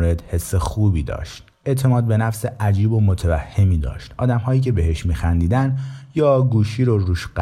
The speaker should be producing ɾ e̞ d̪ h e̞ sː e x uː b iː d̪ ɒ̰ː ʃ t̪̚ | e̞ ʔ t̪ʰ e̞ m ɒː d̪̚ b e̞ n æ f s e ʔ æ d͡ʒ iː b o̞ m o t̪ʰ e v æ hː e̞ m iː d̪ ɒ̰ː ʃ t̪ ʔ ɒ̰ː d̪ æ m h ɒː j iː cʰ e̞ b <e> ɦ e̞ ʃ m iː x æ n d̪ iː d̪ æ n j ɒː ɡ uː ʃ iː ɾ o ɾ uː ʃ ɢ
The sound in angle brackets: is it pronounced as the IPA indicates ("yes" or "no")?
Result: yes